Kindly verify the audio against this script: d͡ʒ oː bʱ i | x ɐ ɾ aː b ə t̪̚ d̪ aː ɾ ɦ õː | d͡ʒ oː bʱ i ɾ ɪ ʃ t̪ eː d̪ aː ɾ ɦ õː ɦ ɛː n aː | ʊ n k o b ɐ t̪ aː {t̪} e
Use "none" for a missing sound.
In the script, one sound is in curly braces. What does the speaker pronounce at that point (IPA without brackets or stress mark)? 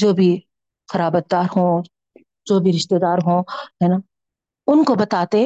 t̪